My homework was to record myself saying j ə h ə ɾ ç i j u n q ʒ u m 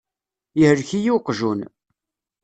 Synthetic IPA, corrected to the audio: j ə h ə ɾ ç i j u q ʒ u n